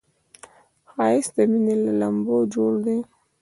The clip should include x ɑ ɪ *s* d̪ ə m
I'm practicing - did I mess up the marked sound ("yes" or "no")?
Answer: no